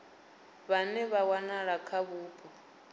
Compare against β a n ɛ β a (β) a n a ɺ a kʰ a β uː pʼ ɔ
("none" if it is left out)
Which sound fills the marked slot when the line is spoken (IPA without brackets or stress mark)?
w